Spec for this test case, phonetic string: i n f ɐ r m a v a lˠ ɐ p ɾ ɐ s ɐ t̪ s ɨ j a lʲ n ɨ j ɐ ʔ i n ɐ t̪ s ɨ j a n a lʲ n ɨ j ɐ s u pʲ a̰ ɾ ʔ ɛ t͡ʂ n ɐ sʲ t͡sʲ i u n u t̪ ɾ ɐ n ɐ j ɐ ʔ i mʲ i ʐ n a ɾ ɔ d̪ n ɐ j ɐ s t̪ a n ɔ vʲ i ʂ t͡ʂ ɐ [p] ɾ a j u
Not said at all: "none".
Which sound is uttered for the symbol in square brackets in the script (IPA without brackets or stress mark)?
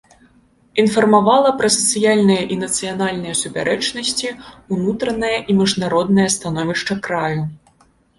k